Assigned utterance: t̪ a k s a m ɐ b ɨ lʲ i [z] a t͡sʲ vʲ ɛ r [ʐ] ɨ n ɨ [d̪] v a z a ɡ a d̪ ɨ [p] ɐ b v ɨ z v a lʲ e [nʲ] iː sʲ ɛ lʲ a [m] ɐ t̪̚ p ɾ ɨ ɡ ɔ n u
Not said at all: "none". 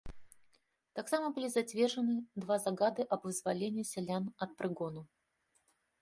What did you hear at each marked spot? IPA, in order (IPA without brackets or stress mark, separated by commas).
z, ʐ, d̪, ʔ, nʲ, n